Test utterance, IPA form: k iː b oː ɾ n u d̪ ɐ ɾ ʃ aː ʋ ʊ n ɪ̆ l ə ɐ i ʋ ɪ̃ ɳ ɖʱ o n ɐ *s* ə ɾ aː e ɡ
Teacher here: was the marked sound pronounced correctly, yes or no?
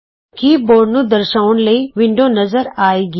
no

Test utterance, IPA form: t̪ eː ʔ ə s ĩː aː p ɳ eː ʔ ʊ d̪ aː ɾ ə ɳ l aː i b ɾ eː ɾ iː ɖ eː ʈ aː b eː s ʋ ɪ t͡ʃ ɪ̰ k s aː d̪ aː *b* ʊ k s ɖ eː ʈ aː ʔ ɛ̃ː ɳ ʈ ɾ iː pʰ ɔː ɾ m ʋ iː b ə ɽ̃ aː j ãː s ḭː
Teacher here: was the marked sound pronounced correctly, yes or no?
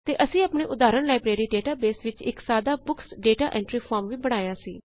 yes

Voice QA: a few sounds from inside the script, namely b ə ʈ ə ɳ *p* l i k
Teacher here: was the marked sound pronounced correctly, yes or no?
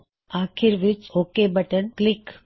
no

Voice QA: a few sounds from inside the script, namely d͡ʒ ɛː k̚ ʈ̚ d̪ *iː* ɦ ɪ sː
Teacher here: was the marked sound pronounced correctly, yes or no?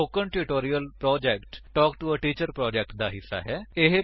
no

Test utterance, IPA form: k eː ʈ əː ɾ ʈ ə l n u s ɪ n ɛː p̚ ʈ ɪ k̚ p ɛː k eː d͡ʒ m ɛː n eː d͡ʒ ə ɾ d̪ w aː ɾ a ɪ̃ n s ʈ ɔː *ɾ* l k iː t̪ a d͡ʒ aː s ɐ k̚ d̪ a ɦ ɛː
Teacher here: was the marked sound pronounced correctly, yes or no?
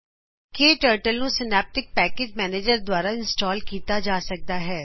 no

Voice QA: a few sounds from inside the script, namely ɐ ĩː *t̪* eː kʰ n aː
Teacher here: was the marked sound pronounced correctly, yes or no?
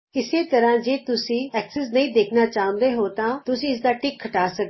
no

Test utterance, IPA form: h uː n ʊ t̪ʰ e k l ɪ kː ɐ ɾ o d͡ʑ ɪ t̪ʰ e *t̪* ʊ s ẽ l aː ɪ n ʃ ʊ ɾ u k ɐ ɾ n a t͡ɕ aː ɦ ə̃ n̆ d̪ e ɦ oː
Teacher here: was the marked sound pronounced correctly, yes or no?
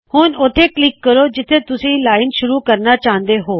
yes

